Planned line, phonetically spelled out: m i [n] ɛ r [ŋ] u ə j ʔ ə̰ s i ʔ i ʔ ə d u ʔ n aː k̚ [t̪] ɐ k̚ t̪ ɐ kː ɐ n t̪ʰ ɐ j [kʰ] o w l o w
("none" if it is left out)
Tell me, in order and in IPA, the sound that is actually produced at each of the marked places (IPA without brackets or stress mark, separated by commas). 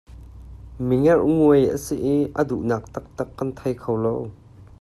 ŋ, ŋ, t̪, kʰ